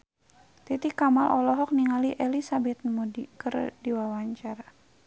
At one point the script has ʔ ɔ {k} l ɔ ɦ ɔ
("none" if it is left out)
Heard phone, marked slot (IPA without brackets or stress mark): none